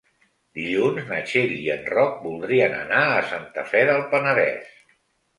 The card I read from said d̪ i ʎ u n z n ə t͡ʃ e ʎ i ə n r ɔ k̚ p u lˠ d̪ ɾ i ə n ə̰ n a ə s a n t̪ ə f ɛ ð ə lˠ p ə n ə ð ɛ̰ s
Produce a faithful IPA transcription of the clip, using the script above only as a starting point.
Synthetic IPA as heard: d̪ i ʎ u n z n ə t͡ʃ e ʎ i ə n r ɔ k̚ b u lˠ d̪ ɾ i ə n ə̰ n a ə s a n t̪ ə f ɛ ð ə lˠ p ə n ə ð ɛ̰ s